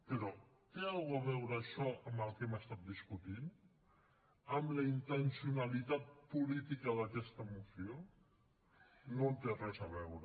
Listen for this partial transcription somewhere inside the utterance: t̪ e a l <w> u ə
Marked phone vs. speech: incorrect: ɣ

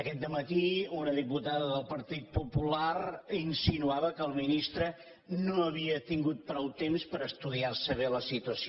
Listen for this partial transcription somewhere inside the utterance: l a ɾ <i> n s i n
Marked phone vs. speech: correct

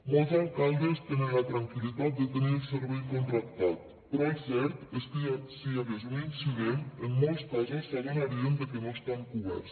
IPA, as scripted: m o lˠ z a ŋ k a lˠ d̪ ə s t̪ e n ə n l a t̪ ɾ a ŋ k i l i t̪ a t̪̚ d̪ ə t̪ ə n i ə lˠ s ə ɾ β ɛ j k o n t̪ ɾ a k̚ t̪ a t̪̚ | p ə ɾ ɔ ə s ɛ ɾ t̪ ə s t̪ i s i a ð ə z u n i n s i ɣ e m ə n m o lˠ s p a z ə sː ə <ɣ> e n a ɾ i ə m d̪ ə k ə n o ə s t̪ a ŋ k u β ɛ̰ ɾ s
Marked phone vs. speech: correct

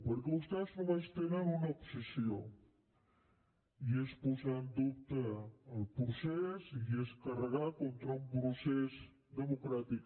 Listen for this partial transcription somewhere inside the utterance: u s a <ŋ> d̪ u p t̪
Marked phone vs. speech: incorrect: n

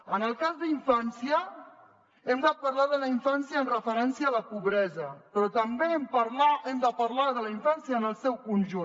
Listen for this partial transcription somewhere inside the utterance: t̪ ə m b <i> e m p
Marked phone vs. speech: incorrect: e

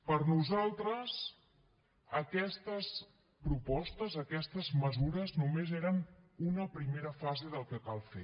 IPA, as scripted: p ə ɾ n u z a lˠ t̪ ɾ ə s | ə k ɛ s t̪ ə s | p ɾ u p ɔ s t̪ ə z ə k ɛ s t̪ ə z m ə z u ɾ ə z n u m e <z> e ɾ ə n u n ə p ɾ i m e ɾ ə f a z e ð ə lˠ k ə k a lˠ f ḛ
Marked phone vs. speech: correct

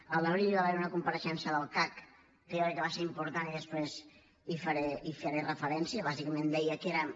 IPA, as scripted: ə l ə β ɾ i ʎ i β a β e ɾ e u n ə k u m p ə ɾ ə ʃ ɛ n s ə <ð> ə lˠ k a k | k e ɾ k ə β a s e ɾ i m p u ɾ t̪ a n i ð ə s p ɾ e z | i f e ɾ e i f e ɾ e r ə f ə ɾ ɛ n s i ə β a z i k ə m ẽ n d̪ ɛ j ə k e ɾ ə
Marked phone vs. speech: correct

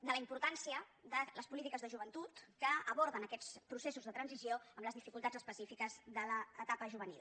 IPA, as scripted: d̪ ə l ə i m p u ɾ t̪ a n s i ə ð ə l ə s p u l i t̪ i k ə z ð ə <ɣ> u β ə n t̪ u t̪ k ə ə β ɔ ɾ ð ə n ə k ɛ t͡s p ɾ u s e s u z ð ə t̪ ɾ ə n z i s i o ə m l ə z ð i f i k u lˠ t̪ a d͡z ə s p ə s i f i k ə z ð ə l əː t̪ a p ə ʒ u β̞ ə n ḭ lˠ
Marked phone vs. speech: incorrect: ʒ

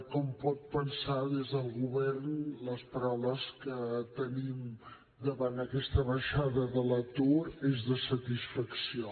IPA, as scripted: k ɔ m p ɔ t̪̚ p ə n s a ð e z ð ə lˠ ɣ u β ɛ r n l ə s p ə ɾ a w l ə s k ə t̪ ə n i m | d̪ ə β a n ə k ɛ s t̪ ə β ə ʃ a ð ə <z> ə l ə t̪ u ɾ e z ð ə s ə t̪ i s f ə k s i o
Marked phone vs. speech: incorrect: ð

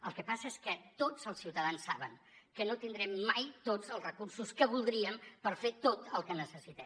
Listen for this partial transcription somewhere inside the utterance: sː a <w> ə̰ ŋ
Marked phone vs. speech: incorrect: β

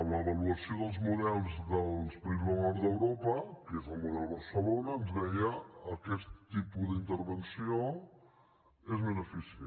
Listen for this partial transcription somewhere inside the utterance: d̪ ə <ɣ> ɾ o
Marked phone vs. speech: incorrect: w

